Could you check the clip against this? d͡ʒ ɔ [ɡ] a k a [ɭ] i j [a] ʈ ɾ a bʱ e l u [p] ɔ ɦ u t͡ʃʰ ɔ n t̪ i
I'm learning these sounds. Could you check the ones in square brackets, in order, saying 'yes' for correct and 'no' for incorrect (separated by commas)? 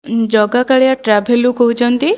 yes, yes, yes, no